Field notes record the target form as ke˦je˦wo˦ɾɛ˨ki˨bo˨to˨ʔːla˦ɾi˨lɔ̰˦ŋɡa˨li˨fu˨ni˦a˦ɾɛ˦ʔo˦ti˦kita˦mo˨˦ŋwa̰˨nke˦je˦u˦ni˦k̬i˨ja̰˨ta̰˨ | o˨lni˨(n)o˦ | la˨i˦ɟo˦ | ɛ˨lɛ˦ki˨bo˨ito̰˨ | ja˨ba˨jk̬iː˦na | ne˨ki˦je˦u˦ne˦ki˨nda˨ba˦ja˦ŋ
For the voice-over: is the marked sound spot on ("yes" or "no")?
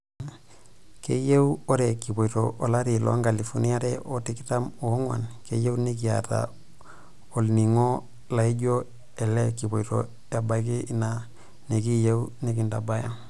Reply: no